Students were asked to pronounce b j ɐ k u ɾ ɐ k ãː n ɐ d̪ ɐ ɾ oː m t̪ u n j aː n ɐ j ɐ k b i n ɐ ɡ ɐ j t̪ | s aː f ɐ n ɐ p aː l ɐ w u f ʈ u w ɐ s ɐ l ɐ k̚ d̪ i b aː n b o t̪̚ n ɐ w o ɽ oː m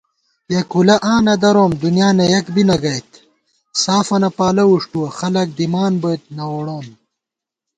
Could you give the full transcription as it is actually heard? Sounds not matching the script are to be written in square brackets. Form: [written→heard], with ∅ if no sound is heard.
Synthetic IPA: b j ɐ k u [ɾ→l] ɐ [k→ʔ] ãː n ɐ d̪ ɐ ɾ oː m [t̪→d̪] u n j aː n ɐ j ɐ k b i n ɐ ɡ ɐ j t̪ | s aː f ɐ n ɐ p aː l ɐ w u [f→ʂ] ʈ u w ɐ [s→x] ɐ l ɐ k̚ d̪ i [b→m] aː n b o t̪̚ n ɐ w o ɽ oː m